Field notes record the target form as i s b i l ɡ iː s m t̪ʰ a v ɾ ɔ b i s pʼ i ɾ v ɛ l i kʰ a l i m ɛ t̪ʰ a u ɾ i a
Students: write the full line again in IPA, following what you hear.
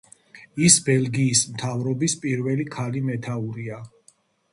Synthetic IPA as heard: i s b ɛ l ɡ iː s m t̪ʰ a v ɾ ɔ b i s pʼ i ɾ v ɛ l i kʰ a l i m ɛ t̪ʰ a u ɾ i a